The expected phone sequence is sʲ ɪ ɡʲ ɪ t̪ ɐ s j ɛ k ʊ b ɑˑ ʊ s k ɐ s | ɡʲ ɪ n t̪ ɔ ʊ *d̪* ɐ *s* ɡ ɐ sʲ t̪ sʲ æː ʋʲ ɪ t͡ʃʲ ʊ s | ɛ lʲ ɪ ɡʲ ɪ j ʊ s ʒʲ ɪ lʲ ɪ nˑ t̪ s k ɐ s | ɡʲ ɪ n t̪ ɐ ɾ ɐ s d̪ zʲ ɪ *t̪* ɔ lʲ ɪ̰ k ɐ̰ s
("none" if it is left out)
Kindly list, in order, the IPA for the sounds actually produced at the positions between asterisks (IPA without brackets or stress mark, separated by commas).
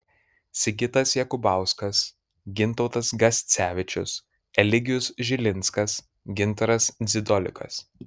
t̪, s, d̪